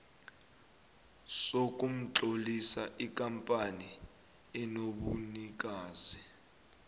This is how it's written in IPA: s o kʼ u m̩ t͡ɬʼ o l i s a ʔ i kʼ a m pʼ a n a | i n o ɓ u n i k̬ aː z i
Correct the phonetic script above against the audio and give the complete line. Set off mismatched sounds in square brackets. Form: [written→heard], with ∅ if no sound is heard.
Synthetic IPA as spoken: s o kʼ u m̩ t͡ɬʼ o l i s a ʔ i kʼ a m pʼ a n [a→i] | [i→ɛ] n o ɓ u n i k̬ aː z i